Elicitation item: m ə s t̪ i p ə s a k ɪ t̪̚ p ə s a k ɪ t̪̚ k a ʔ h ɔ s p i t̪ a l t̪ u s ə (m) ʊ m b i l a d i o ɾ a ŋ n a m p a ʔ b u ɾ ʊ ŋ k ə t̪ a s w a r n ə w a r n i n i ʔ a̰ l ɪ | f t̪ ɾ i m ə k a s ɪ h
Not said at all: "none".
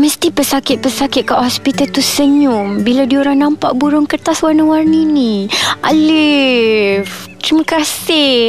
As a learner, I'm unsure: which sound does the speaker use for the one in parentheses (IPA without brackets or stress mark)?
ɲ